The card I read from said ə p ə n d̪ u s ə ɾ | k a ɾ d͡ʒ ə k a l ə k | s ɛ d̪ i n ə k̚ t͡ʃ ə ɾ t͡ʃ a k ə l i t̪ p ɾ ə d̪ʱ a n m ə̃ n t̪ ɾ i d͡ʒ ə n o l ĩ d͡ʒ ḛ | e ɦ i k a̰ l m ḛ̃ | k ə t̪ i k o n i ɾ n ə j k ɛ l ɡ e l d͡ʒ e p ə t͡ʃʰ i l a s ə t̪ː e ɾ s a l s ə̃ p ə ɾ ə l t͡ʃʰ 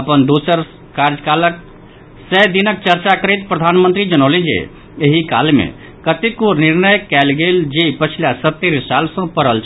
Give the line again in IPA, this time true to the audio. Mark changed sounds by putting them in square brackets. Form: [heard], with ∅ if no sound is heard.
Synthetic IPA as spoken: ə p ə n d̪ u s ə ɾ | k a ɾ d͡ʒ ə k a l ə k | s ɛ d̪ i n ə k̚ t͡ʃ ə ɾ t͡ʃ a k ə [ɾ] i t̪ p ɾ ə d̪ʱ a n m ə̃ n t̪ ɾ i d͡ʒ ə n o l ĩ d͡ʒ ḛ | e ɦ i k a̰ l m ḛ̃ | k ə t̪ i k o n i ɾ n ə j k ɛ l ɡ e l d͡ʒ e p ə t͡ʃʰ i l a s ə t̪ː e ɾ s a l s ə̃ p ə ɾ ə l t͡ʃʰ